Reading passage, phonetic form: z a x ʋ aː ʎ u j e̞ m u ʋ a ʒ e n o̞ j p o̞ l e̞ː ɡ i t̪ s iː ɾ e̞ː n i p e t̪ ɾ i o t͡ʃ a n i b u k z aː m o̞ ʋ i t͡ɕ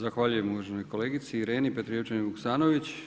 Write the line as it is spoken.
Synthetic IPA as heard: z a x ʋ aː ʎ u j e̞ m u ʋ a ʒ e n o̞ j k o̞ l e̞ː ɡ i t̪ s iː ɾ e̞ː n i p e t̪ ɾ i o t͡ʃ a n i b u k s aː n o̞ ʋ i t͡ɕ